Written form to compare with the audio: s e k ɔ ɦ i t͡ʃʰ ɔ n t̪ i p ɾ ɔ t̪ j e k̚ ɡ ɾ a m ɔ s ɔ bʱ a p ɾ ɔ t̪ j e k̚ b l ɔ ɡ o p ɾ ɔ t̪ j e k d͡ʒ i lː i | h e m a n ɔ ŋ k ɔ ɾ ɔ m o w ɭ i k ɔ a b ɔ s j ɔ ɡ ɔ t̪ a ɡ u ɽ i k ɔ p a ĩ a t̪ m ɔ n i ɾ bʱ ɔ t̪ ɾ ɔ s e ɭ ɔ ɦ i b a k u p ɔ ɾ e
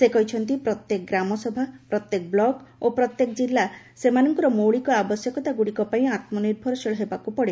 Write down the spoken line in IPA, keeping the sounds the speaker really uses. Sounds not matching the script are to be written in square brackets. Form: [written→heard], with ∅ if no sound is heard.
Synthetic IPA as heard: s e k ɔ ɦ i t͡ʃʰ ɔ n t̪ i p ɾ ɔ t̪ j e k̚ ɡ ɾ a m ɔ s ɔ bʱ a p ɾ ɔ t̪ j e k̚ b l ɔ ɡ o p ɾ ɔ t̪ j e k d͡ʒ i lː [i→a] | [h→s] e m a n ɔ ŋ k ɔ ɾ ɔ m o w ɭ i k ɔ a b ɔ s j ɔ [ɡ→k] ɔ t̪ a ɡ u ɽ i k ɔ p a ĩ a t̪ m ɔ n i ɾ bʱ ɔ [t̪→∅] ɾ ɔ s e ɭ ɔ ɦ [i→e] b a k u p ɔ [ɾ→ɽ] e